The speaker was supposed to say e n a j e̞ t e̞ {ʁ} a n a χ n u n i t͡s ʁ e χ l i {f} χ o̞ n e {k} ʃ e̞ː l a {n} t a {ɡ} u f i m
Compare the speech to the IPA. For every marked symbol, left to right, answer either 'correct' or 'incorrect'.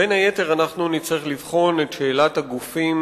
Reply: correct, incorrect: v, incorrect: t, incorrect: none, correct

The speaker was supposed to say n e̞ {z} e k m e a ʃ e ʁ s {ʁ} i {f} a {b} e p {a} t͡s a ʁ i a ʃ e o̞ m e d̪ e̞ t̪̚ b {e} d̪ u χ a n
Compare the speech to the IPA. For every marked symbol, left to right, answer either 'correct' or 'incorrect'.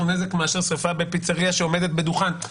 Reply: correct, correct, correct, correct, incorrect: i, correct

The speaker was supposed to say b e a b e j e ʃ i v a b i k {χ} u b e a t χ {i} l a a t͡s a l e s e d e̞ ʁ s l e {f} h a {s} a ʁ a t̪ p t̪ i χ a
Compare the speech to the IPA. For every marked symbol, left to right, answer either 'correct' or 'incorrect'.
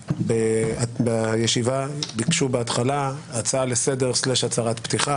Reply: incorrect: ʃ, incorrect: a, incorrect: ʃ, incorrect: t͡s

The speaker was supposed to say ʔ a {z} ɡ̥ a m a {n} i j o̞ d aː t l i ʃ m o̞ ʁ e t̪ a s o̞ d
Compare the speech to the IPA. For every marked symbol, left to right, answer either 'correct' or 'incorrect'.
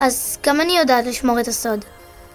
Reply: correct, correct

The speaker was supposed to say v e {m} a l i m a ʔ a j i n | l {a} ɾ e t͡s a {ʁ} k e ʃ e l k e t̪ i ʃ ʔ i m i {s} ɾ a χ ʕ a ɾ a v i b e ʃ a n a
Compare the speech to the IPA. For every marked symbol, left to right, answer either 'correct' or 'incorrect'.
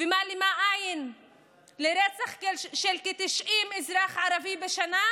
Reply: correct, incorrect: e, incorrect: χ, incorrect: z

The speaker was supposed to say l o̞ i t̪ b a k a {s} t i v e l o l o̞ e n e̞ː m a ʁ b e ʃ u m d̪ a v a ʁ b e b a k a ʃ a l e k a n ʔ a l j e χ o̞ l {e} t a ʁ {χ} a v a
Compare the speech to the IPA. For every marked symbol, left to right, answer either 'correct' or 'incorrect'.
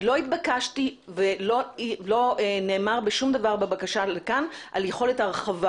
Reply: incorrect: ʃ, correct, correct

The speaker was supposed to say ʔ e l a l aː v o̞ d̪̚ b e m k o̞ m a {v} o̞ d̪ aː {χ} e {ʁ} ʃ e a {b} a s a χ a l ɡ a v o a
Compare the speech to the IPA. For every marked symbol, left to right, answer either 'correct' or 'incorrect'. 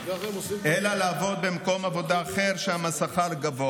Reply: correct, correct, correct, incorrect: m

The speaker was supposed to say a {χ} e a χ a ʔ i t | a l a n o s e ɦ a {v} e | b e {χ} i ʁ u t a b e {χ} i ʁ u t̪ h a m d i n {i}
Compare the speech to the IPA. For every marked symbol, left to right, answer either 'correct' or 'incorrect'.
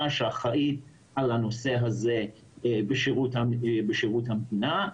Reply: incorrect: ʃ, incorrect: z, incorrect: ʃ, incorrect: ʃ, incorrect: a

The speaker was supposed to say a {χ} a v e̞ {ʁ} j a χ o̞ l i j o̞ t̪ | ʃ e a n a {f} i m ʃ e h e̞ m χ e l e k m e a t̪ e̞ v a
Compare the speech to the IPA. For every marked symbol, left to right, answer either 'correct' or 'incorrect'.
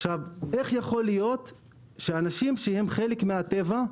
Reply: incorrect: ʃ, incorrect: χ, incorrect: ʃ

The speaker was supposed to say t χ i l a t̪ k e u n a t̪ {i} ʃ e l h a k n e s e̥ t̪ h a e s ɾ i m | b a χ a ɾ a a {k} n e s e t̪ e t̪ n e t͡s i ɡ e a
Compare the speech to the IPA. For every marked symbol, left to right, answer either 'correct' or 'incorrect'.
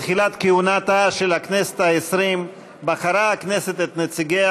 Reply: incorrect: a, correct

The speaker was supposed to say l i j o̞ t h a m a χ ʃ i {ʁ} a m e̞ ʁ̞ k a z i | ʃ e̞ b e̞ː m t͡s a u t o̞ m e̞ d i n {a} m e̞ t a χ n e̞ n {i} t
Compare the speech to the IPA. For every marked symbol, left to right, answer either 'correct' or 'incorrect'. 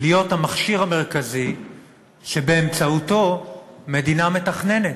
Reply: correct, correct, incorrect: e

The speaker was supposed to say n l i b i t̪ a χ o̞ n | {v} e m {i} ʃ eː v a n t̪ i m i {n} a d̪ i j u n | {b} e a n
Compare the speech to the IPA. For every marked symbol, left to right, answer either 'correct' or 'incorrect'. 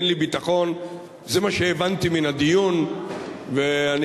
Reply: incorrect: z, incorrect: a, correct, incorrect: v

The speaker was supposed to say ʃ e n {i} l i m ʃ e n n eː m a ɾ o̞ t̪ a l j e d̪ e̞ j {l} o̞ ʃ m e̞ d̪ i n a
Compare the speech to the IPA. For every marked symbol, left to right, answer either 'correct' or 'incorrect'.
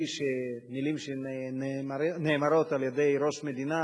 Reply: correct, incorrect: ɾ

